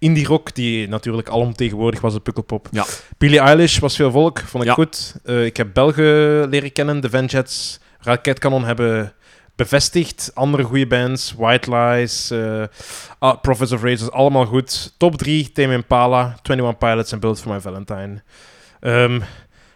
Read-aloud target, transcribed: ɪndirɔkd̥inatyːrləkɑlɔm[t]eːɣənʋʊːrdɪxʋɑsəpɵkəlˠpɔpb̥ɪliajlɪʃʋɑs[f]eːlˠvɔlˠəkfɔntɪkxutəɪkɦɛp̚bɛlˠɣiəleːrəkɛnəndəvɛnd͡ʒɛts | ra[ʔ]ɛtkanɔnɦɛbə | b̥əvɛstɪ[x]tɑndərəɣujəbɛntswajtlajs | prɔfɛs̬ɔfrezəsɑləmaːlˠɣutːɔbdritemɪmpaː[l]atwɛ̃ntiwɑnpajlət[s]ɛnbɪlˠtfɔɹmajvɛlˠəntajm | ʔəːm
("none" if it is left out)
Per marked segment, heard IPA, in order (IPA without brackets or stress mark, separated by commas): t, f, k, x, l, s